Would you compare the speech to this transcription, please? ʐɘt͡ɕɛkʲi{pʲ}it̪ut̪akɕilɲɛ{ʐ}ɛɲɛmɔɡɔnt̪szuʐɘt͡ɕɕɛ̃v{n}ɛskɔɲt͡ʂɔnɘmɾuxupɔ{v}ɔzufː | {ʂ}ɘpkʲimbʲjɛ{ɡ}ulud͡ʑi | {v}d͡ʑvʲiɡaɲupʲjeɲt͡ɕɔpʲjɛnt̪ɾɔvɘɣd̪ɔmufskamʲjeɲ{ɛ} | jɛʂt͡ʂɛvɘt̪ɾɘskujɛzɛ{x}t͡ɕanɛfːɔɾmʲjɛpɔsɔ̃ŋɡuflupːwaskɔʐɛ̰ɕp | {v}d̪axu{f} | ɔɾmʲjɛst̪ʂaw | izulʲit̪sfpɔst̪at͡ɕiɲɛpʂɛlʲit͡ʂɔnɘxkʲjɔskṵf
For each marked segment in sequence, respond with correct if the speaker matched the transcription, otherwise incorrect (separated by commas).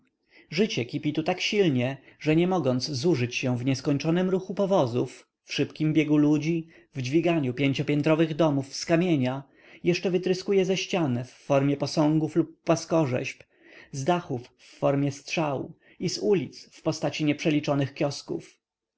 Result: correct, correct, incorrect, correct, correct, correct, correct, incorrect, incorrect, incorrect, incorrect